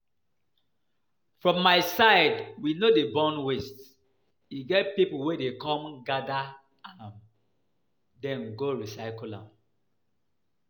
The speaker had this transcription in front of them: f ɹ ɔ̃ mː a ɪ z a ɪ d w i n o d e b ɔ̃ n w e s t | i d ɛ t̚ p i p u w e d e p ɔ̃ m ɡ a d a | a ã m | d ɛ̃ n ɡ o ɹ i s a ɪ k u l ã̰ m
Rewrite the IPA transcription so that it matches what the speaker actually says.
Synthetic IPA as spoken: f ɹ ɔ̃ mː a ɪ s a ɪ d w i n o d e b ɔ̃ n w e s t | i ɡ ɛ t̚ p i p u w e d e k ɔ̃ m ɡ a d a | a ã m | d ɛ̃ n ɡ o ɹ i s a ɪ k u l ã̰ m